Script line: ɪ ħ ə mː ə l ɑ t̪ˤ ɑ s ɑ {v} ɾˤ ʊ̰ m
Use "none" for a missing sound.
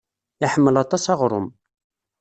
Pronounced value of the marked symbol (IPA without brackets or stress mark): ʁ